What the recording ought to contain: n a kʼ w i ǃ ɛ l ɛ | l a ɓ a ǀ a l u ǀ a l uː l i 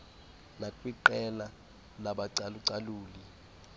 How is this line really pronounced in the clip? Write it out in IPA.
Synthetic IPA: n a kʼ w i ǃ ɛ l a | l a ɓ a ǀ a l u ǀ a l uː l i